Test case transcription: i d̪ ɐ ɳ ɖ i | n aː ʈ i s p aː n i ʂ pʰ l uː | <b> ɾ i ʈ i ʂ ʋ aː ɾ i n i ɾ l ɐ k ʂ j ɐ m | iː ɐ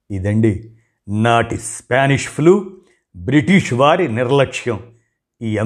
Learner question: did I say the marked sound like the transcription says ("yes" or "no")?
yes